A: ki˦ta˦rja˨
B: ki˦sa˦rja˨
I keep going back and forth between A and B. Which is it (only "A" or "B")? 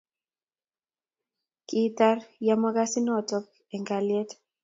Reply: A